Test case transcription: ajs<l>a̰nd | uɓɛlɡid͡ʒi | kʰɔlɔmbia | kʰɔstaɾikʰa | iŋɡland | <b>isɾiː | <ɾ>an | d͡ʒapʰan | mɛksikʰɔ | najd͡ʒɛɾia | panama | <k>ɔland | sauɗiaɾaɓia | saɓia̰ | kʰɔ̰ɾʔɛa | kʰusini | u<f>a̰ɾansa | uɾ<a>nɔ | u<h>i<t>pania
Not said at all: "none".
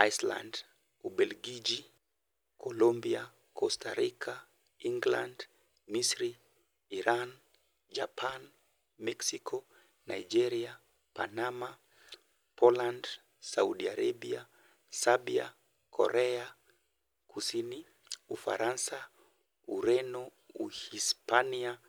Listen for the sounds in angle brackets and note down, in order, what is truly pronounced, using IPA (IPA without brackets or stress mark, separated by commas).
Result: l, m, ɾ, p, f, ɛ, h, s